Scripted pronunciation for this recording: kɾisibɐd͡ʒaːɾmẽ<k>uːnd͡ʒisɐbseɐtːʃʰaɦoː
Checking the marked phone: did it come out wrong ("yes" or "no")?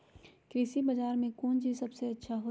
no